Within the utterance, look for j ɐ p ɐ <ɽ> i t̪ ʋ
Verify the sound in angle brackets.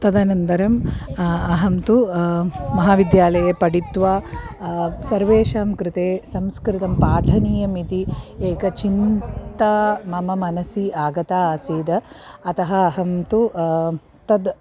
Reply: correct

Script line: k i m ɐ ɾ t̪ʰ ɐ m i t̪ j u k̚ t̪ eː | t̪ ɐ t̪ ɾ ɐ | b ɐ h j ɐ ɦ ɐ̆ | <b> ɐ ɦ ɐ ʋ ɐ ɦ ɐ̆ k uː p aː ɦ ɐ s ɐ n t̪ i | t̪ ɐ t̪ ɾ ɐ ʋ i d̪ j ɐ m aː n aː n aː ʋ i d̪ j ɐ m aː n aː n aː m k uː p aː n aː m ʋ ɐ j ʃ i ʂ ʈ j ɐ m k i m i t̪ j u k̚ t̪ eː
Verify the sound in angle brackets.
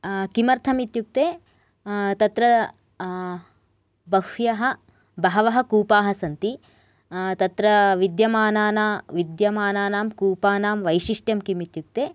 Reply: correct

